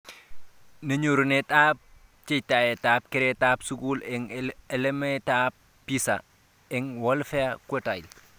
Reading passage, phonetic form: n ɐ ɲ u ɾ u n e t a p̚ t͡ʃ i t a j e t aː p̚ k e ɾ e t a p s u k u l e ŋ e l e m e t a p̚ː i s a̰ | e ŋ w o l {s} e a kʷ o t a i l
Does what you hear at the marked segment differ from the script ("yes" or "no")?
yes